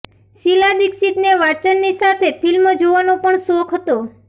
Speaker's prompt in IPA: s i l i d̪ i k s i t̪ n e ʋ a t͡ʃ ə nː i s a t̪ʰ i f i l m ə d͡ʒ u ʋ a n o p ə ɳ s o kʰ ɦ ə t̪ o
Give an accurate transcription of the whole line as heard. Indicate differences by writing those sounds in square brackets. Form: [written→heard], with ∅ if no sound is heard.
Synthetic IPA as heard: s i l [i→a] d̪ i k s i t̪ n e ʋ a t͡ʃ ə nː i s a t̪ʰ [i→e] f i l m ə d͡ʒ [u→o] ʋ a n o p ə ɳ s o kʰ ɦ ə t̪ o